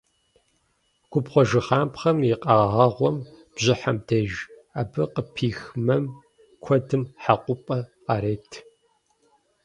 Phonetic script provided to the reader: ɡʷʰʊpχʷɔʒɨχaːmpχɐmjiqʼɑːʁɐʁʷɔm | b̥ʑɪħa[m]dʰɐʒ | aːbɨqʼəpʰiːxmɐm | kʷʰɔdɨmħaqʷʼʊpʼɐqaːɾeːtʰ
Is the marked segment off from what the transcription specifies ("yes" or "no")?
no